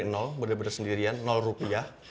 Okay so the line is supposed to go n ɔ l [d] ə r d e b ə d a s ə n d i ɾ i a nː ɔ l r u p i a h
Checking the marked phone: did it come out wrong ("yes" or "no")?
yes